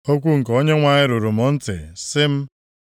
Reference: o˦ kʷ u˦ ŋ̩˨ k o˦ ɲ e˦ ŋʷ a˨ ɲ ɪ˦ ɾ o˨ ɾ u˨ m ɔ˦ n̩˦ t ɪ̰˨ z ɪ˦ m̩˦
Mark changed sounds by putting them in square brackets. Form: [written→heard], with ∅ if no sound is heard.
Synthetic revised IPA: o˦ kʷ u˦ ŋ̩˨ k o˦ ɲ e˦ ŋʷ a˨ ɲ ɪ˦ ɾ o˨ ɾ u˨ m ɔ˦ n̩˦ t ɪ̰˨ [z→s] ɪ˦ m̩˦